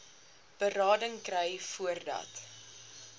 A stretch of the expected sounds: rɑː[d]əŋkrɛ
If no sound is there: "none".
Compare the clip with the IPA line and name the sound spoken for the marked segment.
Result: d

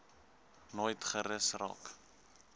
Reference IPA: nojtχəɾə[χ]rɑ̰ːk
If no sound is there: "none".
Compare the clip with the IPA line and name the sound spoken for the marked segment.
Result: s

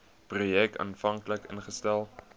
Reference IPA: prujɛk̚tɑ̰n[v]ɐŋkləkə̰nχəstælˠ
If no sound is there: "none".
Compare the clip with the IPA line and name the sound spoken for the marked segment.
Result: f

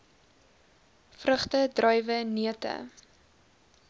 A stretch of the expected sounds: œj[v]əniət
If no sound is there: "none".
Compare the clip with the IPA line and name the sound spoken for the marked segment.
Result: v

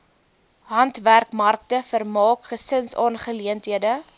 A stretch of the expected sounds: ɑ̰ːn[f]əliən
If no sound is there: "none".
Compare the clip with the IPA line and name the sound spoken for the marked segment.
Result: χ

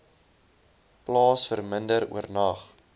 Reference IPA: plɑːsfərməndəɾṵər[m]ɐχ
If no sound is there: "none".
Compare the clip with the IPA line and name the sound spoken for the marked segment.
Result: n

